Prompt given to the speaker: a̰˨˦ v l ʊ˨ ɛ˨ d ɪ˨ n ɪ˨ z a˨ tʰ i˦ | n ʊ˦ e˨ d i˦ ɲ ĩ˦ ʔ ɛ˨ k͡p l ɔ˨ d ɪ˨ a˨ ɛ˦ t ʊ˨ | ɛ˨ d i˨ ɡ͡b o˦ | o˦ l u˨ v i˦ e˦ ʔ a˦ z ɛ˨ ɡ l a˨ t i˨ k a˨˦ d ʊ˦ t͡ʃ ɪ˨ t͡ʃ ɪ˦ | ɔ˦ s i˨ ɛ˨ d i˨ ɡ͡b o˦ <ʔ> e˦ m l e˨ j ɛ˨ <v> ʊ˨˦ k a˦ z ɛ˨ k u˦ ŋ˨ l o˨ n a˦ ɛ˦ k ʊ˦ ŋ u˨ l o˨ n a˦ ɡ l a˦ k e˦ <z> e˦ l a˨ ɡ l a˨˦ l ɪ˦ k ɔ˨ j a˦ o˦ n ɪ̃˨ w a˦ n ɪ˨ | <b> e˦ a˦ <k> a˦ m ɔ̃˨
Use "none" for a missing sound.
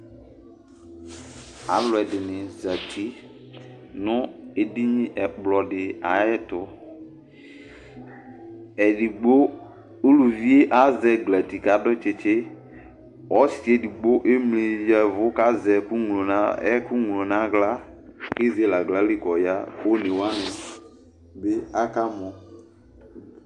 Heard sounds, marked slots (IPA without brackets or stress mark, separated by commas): ʔ, v, z, b, k